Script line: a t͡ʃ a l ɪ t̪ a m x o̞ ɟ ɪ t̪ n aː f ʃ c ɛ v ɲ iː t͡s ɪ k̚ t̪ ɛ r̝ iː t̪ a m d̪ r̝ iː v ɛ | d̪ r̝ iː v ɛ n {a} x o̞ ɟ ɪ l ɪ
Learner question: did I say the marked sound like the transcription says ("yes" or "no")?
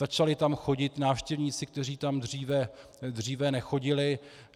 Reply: no